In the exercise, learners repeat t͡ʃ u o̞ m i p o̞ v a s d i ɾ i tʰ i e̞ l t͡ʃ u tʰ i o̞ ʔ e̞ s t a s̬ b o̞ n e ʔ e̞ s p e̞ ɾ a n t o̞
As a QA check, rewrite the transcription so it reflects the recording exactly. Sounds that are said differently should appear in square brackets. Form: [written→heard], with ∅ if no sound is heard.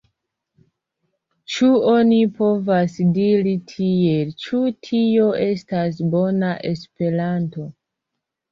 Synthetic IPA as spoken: t͡ʃ u o̞ [m→n] i p o̞ v a s d i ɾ i tʰ i e̞ l t͡ʃ u tʰ i o̞ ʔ e̞ s t a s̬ b o̞ n [e→a] ʔ e̞ s p e̞ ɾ a n t o̞